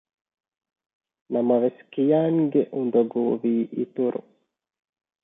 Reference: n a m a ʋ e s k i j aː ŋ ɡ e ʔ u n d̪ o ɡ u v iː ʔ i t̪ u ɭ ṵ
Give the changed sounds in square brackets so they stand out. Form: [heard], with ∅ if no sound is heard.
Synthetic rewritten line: n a m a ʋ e s k i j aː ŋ ɡ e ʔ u n d̪ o ɡ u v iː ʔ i t̪ u [ɾ] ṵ

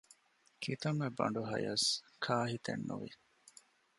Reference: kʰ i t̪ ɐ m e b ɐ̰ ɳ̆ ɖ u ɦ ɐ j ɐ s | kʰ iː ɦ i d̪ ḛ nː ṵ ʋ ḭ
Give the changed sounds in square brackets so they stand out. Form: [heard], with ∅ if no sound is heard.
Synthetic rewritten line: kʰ i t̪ ɐ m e b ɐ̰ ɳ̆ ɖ u ɦ ɐ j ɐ s | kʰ [aː] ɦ i [t̪] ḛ nː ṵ ʋ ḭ

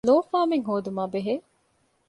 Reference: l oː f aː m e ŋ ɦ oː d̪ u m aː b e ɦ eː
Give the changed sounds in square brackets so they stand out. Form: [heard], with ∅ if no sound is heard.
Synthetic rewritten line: l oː f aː m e ŋ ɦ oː d̪ u m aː b e ɦ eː

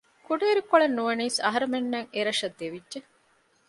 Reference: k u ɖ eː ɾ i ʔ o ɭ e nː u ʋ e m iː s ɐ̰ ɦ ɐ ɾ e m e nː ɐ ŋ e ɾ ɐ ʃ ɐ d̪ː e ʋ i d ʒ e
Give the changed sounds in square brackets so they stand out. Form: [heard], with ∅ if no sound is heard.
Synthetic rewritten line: k u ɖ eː ɾ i [k] o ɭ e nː u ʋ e [n] iː s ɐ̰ ɦ ɐ ɾ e m e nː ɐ ŋ e ɾ ɐ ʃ ɐ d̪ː e ʋ i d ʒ e

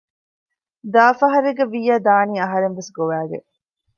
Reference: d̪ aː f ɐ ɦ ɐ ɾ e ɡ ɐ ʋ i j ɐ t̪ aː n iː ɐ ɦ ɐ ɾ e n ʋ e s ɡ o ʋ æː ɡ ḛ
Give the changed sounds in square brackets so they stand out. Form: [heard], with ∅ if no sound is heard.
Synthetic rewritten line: d̪ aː f ɐ ɦ ɐ ɾ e ɡ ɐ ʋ i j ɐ [d̪] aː n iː ɐ ɦ ɐ ɾ e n ʋ e s ɡ o ʋ æː ɡ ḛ

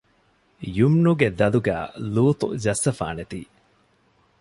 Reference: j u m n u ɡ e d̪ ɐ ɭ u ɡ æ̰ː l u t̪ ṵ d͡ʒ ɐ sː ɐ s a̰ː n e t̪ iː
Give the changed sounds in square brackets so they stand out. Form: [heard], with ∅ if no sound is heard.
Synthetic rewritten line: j u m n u ɡ e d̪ ɐ [l] u ɡ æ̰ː l [uː] t̪ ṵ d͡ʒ ɐ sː ɐ [f] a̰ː n e t̪ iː

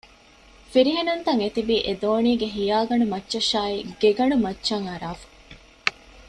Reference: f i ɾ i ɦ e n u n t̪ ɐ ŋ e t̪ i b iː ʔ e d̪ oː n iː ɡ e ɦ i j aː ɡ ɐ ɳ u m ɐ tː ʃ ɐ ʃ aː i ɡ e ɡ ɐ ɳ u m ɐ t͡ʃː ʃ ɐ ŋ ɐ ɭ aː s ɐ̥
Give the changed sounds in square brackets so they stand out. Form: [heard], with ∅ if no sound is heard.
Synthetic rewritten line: f i ɾ i ɦ e n u n t̪ ɐ ŋ e t̪ i b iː ʔ e d̪ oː n iː ɡ e ɦ i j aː ɡ ɐ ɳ u m ɐ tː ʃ ɐ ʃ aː i ɡ e ɡ ɐ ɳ u m ɐ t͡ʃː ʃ ɐ ŋ ɐ [ɾ] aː [f] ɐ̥

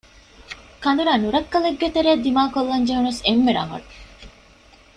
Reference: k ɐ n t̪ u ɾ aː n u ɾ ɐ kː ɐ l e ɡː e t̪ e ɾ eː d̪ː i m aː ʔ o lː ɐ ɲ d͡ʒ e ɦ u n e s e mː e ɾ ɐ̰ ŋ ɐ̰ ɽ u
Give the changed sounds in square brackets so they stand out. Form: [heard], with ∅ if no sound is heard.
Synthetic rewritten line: k ɐ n [d̪] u ɾ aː n u ɾ ɐ kː ɐ l e ɡː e t̪ e ɾ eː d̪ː i m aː [k] o lː ɐ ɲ d͡ʒ e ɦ u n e s e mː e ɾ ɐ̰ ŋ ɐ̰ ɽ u

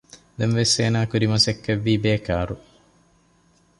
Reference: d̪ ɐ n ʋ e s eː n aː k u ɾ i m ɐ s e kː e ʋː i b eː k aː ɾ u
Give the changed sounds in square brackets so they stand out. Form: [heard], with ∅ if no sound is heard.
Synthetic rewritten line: d̪ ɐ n ʋ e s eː n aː k u ɾ i m ɐ s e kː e ʋː [iː] b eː k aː ɾ u

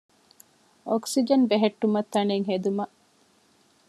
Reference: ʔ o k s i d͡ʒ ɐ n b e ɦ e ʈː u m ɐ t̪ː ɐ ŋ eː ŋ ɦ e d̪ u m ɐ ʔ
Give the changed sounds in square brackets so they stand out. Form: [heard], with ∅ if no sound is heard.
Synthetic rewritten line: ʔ o k s i d͡ʒ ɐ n b e ɦ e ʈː u m ɐ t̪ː ɐ [n] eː ŋ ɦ e d̪ u m ɐ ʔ

